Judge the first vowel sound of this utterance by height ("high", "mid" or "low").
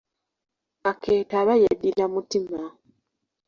low